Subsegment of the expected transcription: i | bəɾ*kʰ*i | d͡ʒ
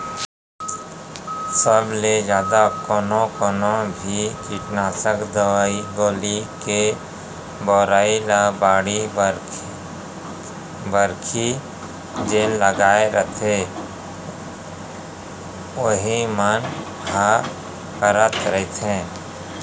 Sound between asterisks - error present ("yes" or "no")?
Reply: no